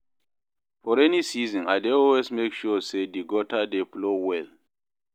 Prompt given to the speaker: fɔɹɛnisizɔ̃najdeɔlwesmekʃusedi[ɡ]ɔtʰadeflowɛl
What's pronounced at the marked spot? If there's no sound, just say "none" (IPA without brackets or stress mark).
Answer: ɡ